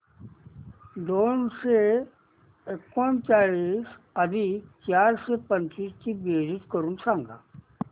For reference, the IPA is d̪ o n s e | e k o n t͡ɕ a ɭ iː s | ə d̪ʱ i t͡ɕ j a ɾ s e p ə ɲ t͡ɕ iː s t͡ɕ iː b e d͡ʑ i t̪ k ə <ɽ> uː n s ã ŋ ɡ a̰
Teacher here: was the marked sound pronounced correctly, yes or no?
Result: no